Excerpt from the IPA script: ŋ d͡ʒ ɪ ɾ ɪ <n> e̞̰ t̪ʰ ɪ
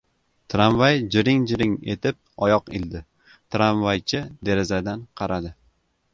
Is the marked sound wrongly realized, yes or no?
yes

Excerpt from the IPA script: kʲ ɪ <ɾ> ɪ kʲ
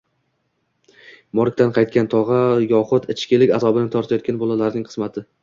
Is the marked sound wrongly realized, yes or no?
yes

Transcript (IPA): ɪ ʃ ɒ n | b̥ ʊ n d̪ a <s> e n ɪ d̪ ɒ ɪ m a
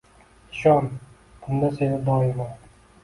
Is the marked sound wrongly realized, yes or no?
no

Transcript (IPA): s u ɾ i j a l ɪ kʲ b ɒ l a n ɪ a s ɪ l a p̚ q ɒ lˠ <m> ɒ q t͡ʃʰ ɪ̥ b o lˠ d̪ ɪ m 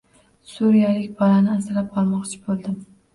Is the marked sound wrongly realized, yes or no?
no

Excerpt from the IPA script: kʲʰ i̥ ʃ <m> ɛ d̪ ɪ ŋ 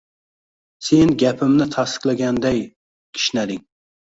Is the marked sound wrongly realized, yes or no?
yes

